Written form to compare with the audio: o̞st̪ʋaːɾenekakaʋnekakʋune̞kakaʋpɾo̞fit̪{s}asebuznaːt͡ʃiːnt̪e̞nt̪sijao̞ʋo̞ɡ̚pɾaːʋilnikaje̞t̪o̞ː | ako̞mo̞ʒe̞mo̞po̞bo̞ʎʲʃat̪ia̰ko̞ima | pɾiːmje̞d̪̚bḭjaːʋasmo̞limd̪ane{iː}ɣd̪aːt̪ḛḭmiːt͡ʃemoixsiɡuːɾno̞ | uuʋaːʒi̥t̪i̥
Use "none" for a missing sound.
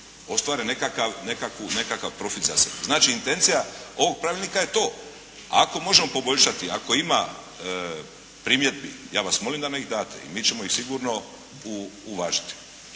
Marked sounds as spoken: z, i

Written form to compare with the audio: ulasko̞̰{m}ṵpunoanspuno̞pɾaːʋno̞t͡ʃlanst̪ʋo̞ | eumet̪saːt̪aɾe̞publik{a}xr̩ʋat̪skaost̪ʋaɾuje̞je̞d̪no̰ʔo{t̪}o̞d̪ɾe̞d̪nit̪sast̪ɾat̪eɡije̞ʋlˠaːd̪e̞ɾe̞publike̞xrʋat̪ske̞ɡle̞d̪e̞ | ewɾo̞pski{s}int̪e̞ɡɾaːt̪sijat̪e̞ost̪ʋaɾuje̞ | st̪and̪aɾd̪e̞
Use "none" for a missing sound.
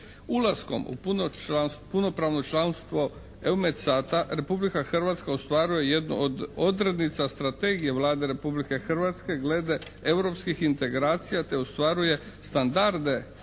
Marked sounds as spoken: m, a, d̪, x

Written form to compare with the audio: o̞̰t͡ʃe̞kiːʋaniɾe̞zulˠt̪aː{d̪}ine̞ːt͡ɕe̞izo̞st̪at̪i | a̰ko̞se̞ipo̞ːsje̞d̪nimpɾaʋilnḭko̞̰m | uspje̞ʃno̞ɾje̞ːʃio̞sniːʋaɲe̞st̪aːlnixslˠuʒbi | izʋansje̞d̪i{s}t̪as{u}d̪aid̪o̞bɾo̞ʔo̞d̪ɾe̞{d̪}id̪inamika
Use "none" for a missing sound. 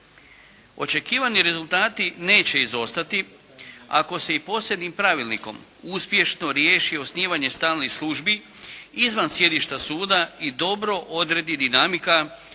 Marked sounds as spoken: t̪, ʃ, uː, d̪

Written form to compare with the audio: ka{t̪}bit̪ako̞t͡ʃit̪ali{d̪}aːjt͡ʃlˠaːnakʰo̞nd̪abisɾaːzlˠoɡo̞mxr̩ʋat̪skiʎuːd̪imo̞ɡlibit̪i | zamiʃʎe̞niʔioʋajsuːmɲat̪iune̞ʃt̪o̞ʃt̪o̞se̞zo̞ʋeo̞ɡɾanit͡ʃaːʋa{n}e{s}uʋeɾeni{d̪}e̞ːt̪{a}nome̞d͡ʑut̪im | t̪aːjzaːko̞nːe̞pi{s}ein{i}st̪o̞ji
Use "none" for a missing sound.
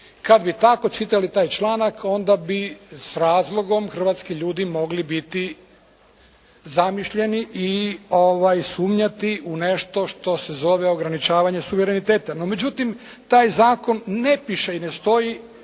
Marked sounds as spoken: d̪, t̪, ɲ, s, t̪, a, ʃ, e

